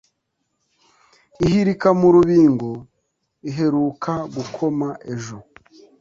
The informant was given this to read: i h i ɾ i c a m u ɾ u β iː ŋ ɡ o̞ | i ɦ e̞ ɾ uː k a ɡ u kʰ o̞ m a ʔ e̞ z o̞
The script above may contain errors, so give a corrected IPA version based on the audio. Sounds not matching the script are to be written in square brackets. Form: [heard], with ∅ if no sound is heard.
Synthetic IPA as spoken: i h i ɾ i [k] a m u ɾ u β iː ŋ ɡ o̞ | i ɦ e̞ ɾ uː k a ɡ u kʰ o̞ m a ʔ e̞ [ʒ] o̞